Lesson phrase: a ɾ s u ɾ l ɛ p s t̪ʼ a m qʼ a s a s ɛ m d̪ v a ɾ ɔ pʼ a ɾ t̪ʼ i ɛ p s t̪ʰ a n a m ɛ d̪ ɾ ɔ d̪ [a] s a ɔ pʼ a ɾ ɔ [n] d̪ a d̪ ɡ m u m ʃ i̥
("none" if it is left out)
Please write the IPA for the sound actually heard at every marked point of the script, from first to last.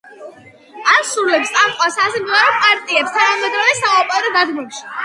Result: ɛ, none

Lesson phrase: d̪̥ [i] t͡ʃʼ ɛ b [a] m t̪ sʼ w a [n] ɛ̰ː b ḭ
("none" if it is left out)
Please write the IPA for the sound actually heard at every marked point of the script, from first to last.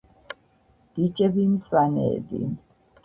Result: i, i, n

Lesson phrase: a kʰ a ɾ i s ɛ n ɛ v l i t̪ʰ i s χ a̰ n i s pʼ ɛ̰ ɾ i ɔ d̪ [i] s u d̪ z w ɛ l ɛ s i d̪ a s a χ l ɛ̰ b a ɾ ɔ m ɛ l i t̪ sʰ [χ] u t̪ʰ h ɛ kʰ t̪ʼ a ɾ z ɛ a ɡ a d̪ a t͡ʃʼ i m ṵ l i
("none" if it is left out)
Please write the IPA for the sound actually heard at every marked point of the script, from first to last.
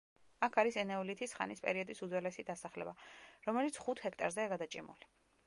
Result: i, χ

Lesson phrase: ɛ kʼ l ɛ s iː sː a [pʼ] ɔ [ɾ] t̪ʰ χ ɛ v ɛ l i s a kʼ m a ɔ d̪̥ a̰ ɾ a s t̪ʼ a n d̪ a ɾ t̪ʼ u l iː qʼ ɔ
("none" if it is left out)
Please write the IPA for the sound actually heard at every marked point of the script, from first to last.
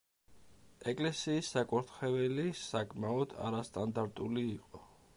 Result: kʼ, ɾ

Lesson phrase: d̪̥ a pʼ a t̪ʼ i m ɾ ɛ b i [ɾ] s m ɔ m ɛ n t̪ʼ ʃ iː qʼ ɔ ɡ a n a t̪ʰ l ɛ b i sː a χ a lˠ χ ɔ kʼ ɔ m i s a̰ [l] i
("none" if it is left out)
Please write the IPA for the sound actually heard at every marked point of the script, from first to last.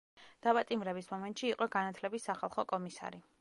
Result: none, ɾ

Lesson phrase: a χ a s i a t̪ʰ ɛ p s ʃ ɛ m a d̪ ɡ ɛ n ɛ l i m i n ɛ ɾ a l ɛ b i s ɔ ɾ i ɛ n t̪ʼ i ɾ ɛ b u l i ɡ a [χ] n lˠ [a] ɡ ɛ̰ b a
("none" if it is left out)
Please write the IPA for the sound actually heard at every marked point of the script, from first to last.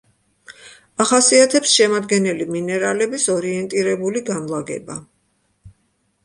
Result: none, a

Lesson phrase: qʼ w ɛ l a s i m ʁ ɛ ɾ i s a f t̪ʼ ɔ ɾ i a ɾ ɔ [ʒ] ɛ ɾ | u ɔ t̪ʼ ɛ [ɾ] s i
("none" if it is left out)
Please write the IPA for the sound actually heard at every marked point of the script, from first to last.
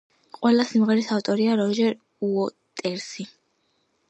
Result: ʒ, ɾ

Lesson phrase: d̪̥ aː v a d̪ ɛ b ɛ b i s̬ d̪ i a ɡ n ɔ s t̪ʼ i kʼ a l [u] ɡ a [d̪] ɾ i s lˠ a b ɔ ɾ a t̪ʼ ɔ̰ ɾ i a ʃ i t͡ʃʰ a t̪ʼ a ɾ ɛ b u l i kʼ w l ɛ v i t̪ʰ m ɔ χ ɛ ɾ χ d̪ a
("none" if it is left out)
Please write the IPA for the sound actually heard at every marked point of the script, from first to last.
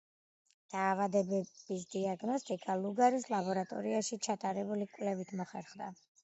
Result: u, none

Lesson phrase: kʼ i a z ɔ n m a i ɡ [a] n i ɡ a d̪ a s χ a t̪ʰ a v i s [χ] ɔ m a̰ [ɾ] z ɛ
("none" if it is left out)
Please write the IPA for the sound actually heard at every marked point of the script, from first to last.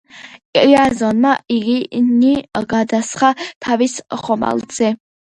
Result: i, χ, l

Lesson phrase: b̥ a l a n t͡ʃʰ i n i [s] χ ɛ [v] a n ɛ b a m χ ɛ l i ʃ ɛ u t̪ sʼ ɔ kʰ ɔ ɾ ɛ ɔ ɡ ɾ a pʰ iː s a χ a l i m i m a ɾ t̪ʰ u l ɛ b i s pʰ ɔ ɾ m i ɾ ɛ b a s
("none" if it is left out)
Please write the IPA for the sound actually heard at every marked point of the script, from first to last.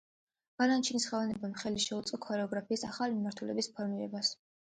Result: s, v

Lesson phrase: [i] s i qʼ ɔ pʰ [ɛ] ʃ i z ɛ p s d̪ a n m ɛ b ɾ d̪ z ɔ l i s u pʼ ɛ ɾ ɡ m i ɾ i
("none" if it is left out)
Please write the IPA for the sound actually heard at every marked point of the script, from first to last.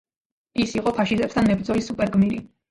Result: i, a

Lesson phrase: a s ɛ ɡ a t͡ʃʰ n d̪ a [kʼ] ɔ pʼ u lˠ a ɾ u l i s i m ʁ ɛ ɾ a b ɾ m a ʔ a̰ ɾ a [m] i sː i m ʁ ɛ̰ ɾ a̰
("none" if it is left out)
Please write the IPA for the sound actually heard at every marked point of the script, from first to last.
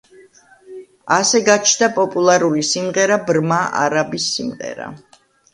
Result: pʼ, b

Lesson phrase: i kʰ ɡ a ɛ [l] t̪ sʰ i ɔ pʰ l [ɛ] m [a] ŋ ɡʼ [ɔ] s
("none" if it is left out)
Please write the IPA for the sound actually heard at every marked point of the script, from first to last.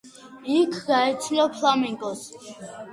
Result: none, a, i, ɔ

